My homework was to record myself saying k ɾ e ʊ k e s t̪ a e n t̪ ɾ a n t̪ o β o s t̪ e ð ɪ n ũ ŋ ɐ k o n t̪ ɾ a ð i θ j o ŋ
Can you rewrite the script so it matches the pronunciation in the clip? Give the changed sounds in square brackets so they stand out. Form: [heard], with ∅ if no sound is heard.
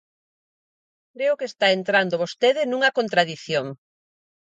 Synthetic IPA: k ɾ e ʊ k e s t̪ a e n t̪ ɾ a n [d̪] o β o s t̪ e ð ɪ n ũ ŋ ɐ k o n t̪ ɾ a ð i θ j o ŋ